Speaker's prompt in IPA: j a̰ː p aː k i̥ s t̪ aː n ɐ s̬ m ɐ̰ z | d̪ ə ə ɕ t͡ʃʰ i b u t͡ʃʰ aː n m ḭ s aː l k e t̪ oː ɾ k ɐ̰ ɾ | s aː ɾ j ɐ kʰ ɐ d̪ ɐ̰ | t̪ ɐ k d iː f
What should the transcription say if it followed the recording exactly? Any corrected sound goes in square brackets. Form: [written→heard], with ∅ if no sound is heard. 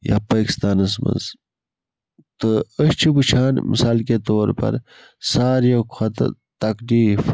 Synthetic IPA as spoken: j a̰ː p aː k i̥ s t̪ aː n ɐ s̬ m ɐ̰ z | [d̪→t̪] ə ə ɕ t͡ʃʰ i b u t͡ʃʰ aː n m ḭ s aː l k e t̪ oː ɾ [k→p] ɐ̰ ɾ | s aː ɾ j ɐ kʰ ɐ [d̪→t̪] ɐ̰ | t̪ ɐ k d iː f